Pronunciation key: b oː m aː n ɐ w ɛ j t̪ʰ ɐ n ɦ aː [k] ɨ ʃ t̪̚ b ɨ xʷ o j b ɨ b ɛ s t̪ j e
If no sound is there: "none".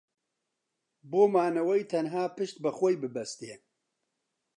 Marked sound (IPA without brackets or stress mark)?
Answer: p